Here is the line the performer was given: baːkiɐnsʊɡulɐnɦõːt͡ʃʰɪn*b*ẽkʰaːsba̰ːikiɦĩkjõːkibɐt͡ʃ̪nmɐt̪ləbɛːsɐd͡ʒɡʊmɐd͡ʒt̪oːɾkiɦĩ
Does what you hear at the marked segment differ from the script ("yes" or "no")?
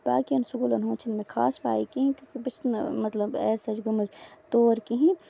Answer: yes